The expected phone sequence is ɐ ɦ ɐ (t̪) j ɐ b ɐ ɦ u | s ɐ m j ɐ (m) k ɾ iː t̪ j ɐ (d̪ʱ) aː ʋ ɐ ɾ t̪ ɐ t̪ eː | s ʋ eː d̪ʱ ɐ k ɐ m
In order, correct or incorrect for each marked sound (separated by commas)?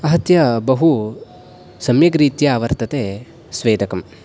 correct, incorrect, incorrect